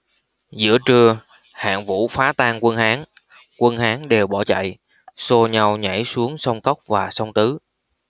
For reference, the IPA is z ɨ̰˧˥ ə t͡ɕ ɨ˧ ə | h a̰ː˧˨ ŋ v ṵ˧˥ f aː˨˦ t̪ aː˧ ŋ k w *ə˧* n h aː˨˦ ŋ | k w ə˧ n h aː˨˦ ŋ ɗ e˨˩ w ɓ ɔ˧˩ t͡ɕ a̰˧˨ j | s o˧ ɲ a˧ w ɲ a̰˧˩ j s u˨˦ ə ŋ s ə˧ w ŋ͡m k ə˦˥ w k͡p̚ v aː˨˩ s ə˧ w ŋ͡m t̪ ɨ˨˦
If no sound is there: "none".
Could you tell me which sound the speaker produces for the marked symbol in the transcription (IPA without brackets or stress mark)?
ə˧